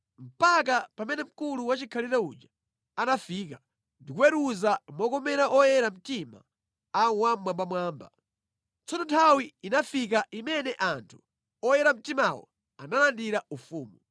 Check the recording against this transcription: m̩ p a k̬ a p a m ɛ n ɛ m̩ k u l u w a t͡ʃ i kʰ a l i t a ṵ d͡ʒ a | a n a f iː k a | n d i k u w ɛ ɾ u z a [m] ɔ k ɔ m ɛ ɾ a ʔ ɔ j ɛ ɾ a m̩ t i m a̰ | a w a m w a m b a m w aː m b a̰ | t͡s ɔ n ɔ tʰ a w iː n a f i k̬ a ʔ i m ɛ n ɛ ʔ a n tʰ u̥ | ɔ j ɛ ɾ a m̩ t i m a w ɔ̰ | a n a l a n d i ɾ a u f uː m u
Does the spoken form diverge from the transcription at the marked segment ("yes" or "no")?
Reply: no